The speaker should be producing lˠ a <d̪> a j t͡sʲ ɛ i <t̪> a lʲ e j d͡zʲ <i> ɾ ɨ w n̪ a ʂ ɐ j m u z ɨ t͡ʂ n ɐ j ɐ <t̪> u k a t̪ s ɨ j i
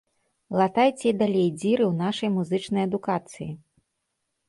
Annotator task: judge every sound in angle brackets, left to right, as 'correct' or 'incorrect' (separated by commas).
incorrect, incorrect, correct, incorrect